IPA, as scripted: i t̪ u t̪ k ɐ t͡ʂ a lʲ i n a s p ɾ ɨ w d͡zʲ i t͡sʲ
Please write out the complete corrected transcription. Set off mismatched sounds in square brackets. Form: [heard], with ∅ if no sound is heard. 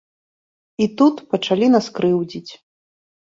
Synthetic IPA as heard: i t̪ u t̪ [p] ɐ t͡ʂ a lʲ i n a s [k] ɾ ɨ w d͡zʲ i t͡sʲ